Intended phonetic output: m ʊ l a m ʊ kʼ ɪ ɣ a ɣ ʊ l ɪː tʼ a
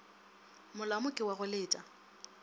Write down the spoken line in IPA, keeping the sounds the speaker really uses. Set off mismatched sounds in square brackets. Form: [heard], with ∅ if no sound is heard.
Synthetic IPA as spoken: m ʊ l a m ʊ kʼ ɪ [w] a ɣ ʊ l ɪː tʼ a